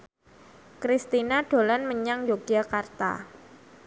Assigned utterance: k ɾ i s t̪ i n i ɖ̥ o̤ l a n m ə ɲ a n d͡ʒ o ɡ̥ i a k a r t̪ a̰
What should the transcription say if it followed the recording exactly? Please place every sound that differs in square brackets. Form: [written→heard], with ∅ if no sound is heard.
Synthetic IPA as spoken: k ɾ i s t̪ i n [i→a] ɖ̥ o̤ l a n m ə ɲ a [n→ŋ] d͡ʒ o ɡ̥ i a k a r t̪ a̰